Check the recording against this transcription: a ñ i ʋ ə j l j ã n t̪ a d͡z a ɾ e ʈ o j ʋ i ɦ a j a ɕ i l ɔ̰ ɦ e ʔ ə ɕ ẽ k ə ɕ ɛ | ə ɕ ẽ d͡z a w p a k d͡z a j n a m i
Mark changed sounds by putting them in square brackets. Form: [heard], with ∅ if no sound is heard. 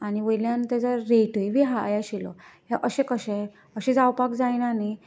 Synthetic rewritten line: a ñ i ʋ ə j l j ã n t̪ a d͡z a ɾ e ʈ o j ʋ i ɦ a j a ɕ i l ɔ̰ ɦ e ʔ ə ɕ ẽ k ə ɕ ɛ | ə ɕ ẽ d͡z a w p a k d͡z a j n a [n] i